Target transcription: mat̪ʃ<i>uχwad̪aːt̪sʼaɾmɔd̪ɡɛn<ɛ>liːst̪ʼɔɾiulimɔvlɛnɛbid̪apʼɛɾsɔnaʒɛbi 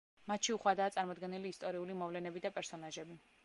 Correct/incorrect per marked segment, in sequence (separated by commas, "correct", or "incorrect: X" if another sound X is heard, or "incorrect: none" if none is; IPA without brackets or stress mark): correct, incorrect: i